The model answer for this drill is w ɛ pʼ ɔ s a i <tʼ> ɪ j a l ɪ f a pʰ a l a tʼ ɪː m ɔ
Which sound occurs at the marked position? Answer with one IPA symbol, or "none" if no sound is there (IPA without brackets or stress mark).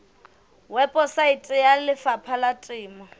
tʼ